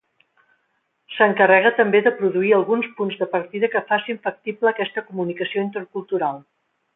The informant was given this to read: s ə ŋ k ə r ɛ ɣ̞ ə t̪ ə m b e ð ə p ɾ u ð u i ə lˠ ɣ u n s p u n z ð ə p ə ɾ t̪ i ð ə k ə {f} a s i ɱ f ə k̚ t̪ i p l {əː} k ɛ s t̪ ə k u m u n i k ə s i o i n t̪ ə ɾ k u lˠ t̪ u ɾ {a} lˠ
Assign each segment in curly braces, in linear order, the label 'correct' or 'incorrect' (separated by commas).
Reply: correct, correct, correct